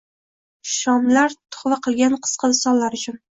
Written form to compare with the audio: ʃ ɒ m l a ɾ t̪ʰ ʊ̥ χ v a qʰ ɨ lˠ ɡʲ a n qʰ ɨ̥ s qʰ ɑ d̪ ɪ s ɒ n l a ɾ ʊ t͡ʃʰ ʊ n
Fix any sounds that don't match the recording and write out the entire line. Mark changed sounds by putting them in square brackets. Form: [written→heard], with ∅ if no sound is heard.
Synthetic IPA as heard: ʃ ɒ m l a ɾ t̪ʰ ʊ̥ χ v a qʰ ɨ lˠ ɡʲ a n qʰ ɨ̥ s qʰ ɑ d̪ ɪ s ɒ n l a ɾ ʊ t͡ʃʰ ʊ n